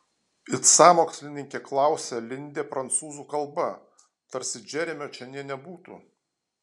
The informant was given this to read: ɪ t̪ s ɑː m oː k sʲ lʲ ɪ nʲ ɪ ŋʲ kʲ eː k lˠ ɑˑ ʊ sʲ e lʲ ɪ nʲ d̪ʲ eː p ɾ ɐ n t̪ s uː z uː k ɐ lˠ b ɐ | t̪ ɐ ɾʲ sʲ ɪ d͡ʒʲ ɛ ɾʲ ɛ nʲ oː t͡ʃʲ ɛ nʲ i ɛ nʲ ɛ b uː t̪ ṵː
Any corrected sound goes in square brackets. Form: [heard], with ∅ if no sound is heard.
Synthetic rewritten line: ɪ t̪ s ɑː m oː k sʲ lʲ ɪ nʲ ɪ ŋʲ kʲ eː k lˠ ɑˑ ʊ sʲ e lʲ ɪ nʲ d̪ʲ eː p ɾ ɐ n t̪ s uː z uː k ɐ lˠ b ɐ | t̪ ɐ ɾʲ sʲ ɪ d͡ʒʲ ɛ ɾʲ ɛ [mʲ] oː t͡ʃʲ ɛ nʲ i ɛ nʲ ɛ b uː t̪ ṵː